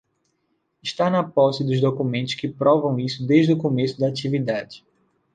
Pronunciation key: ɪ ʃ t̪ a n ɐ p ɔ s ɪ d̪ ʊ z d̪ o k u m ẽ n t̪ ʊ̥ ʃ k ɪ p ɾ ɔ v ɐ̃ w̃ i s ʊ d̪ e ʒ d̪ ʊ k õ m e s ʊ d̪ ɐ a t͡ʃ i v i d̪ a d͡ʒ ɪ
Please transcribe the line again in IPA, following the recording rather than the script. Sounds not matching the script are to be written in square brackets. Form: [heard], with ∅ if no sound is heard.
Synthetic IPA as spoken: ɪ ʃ t̪ a n ɐ p ɔ s ɪ d̪ ʊ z d̪ o k u m ẽ n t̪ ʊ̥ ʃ k ɪ p ɾ ɔ v ɐ̃ w̃ i s ʊ d̪ e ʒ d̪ ʊ k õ m e s ʊ d̪ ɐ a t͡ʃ i v i d̪ a d͡ʒ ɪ